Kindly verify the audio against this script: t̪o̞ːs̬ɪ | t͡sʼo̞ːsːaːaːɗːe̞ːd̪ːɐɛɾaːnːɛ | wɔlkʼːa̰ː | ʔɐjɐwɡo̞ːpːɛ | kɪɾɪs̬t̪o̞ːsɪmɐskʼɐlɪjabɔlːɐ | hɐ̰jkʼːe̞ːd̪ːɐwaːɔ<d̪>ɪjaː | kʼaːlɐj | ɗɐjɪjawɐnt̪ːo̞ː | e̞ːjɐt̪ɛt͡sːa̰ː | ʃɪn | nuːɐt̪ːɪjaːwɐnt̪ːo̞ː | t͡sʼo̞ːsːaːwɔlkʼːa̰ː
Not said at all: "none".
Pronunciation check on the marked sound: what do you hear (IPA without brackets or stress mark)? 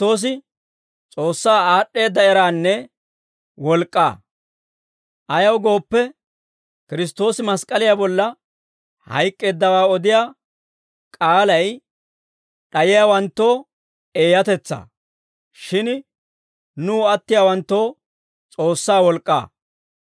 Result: d̪